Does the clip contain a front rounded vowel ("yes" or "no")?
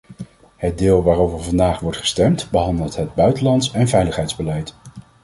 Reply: yes